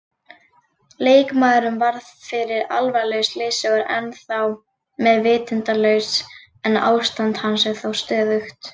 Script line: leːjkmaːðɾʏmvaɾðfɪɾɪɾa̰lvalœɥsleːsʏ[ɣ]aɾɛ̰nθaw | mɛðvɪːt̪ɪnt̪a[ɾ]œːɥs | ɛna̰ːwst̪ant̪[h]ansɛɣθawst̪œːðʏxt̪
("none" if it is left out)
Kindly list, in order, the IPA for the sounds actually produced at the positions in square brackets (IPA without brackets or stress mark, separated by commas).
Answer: ɣ, l, h